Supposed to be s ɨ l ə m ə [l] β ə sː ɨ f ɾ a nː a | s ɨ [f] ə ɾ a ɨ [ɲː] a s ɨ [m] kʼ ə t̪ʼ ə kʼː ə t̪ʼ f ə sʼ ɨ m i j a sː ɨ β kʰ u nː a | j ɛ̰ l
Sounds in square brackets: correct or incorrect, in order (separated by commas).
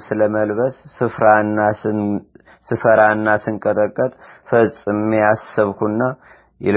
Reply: correct, correct, incorrect, incorrect